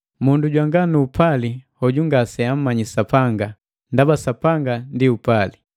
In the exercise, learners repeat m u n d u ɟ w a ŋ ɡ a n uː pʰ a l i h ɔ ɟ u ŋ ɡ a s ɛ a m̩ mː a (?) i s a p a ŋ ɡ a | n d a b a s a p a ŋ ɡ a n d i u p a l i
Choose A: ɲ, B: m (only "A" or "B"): A